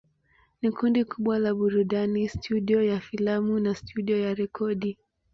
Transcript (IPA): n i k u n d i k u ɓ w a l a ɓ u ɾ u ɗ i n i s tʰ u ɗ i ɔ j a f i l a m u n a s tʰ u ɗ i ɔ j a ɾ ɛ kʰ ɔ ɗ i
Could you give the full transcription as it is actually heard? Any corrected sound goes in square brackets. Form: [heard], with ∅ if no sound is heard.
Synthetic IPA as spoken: n i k u n d i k u ɓ w a l a ɓ u ɾ u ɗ [a] n i s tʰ u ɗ i ɔ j a f i l a m u n a s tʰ u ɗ i ɔ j a ɾ ɛ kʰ ɔ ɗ i